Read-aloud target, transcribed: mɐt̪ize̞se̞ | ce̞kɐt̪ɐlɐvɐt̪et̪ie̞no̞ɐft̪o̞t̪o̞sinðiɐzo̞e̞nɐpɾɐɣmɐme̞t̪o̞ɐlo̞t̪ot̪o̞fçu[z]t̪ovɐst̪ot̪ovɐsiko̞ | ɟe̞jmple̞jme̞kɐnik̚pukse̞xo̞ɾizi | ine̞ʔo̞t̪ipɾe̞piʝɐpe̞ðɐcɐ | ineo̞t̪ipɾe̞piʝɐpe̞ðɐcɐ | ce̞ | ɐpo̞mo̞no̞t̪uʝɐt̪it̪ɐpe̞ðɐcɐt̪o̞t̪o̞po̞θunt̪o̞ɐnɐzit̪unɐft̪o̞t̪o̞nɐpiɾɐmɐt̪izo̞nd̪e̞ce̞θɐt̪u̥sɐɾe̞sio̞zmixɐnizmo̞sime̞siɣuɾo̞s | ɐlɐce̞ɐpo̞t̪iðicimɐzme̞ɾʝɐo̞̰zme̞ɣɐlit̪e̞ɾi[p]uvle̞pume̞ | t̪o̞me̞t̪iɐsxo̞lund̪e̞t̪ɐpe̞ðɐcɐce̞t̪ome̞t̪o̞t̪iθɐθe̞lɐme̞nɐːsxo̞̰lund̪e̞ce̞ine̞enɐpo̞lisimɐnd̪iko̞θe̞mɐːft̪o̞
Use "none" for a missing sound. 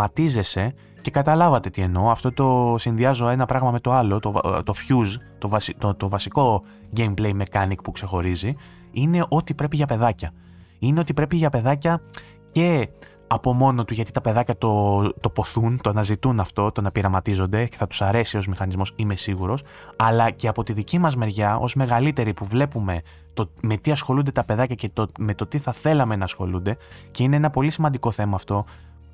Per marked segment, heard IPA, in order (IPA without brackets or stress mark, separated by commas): z, p